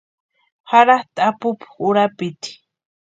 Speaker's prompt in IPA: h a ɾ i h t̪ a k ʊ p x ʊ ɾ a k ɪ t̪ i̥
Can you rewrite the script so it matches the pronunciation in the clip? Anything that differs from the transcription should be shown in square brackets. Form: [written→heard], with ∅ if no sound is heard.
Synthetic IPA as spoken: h a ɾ [i→a] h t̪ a [k→p] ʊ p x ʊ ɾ a [k→p] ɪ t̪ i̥